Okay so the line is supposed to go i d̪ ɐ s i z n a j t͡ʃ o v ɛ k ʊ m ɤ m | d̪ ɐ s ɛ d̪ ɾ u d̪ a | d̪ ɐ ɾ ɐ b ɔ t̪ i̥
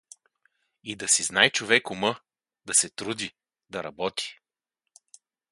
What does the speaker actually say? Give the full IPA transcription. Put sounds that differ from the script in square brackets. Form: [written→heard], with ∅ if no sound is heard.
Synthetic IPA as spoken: i d̪ ɐ s i z n a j t͡ʃ o v ɛ k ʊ m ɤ [m→∅] | d̪ ɐ s ɛ [d̪→t̪] ɾ u d̪ [a→i] | d̪ ɐ ɾ ɐ b ɔ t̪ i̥